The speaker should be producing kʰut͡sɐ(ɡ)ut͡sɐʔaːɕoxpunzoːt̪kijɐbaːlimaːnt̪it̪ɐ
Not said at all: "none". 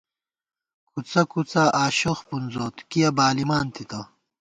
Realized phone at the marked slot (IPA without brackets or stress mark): k